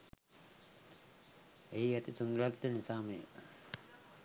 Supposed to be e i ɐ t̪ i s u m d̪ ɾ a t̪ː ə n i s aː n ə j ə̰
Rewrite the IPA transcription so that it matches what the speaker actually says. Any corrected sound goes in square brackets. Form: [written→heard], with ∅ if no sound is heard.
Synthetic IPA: e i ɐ t̪ i s u [m→n] d̪ ɾ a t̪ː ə n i s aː [n→m] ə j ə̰